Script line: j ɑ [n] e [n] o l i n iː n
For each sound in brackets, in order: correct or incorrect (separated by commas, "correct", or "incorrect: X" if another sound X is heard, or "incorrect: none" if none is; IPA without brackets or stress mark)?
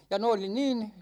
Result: correct, incorrect: none